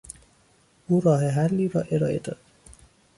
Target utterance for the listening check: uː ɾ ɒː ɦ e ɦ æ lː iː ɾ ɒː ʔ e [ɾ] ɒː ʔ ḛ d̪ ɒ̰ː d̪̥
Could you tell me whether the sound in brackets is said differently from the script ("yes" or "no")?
no